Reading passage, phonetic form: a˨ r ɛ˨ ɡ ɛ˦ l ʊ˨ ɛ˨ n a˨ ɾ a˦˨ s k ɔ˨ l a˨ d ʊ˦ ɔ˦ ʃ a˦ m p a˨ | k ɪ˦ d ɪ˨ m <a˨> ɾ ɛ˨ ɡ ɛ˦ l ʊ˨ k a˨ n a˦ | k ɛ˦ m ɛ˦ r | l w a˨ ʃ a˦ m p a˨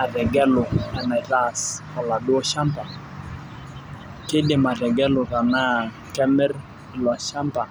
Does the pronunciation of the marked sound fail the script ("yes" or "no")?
no